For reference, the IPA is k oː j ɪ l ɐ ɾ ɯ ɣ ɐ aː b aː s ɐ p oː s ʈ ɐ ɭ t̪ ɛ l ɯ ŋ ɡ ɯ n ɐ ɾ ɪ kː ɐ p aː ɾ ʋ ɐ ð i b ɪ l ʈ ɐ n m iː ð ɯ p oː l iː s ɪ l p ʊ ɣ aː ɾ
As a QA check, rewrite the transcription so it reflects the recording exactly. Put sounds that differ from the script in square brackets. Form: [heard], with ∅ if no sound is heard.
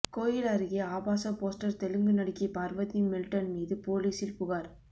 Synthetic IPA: k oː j ɪ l ɐ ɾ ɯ ɣ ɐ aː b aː s ɐ p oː s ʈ ɐ [ɾ] t̪ ɛ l ɯ ŋ ɡ ɯ n ɐ [ɽ] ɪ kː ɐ p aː ɾ ʋ ɐ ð i [m] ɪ l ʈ ɐ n m iː ð ɯ p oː l iː s ɪ l p ʊ ɣ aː ɾ